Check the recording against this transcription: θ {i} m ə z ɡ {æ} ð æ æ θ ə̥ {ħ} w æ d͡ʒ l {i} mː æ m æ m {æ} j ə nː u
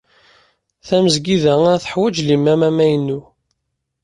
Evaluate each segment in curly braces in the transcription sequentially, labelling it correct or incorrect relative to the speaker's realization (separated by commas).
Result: incorrect, incorrect, correct, correct, correct